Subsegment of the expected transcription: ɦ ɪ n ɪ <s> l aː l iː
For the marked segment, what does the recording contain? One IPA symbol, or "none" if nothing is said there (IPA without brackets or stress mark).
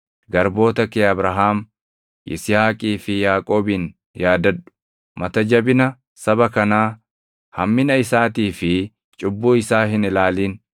none